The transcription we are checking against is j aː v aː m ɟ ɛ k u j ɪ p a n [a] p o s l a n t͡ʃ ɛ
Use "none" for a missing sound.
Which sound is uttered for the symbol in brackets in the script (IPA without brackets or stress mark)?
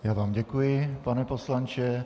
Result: ɛ